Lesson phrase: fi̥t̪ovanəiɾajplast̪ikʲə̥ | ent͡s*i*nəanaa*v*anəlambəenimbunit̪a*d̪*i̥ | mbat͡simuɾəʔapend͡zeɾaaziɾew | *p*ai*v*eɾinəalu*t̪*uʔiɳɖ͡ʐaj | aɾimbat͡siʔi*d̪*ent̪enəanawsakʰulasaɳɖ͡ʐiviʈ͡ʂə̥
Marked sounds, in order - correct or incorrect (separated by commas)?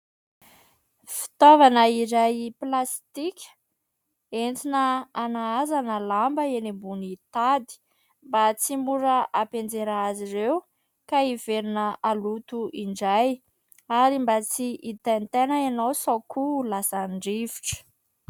correct, incorrect, correct, incorrect, correct, correct, incorrect